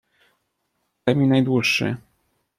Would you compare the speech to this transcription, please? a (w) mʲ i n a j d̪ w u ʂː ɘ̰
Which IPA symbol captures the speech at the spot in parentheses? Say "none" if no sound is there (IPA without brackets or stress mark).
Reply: none